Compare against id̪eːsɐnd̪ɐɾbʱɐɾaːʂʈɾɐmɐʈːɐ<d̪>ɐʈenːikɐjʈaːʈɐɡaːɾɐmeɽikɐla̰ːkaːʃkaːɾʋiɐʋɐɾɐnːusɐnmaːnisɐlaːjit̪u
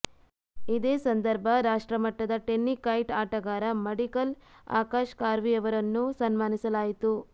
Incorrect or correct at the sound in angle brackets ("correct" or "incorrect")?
correct